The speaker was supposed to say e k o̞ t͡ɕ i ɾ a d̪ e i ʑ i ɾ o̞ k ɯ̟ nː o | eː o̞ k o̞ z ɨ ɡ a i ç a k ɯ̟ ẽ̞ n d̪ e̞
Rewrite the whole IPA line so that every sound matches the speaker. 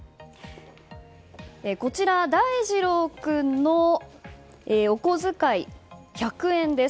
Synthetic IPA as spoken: e k o̞ t͡ɕ i ɾ a d̪ a i ʑ i ɾ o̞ k ɯ̟ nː o | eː o̞ k o̞ z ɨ k a i ç a k ɯ̟ ẽ̞ n d̪ e̞